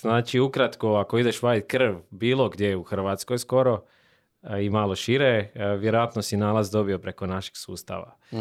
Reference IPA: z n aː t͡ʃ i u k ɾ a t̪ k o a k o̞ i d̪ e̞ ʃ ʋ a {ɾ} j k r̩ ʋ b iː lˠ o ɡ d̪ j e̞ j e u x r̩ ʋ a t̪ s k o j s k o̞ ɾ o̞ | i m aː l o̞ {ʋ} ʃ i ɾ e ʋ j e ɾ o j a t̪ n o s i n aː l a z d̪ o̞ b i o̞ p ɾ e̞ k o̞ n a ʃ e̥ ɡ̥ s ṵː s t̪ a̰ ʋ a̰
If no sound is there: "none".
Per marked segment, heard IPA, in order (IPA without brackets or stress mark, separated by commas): none, none